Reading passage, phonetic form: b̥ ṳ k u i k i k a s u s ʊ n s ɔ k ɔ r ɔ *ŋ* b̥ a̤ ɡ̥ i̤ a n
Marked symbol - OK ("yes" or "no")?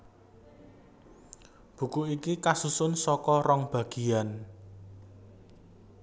yes